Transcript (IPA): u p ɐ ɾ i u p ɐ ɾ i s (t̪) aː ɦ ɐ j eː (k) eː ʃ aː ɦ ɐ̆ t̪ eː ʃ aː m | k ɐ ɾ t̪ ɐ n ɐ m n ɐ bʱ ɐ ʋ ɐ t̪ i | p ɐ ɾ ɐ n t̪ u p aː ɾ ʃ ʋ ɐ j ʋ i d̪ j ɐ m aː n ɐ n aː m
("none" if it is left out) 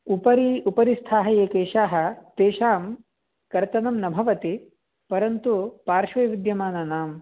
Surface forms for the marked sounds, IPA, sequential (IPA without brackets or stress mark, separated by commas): t̪ʰ, k